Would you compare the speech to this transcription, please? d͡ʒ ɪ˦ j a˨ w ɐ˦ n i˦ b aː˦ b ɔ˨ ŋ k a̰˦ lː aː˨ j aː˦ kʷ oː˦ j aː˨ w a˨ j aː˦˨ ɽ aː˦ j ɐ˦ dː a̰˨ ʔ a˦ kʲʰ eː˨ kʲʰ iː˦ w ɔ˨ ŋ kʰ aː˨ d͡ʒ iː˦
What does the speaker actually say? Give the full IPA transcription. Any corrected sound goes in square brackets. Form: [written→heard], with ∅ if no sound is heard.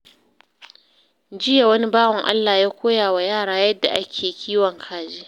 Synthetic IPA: d͡ʒ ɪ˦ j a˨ w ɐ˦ n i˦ b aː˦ [b→w] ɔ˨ ŋ [k→ʔ] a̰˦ lː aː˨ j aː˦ kʷ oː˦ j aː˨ w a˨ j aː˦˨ ɽ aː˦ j ɐ˦ dː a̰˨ ʔ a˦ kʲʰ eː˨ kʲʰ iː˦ w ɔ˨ ŋ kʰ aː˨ d͡ʒ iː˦